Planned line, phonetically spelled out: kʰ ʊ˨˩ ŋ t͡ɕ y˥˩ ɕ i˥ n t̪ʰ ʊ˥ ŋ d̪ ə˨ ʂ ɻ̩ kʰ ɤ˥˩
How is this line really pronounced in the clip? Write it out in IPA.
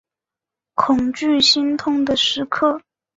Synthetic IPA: kʰ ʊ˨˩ ŋ t͡ɕ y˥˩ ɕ i˥ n t̪ʰ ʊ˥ ŋ d̪ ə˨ ʂ ɻ̩ kʰ ɤ˥˩